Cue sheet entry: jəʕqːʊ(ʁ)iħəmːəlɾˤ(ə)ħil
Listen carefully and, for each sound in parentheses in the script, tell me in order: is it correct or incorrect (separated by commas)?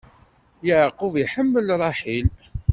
incorrect, incorrect